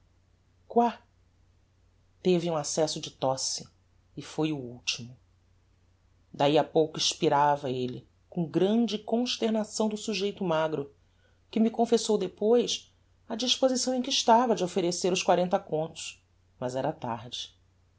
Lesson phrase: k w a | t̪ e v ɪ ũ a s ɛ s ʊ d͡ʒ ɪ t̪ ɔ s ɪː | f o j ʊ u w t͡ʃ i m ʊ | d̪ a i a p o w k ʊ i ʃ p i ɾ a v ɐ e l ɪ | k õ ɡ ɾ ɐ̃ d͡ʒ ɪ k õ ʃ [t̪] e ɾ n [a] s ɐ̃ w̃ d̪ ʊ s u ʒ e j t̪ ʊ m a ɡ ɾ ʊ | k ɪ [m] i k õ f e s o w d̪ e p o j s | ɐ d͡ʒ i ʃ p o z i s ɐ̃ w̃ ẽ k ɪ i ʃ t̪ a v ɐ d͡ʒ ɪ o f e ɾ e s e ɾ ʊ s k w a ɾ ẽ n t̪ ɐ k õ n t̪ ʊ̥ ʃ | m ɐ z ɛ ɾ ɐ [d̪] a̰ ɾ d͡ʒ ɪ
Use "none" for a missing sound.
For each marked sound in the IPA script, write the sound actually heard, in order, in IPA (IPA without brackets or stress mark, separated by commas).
t̪, a, m, t̪